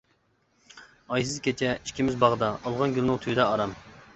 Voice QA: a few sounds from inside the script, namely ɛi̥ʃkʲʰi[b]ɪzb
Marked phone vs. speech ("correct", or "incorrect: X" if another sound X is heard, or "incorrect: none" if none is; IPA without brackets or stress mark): incorrect: m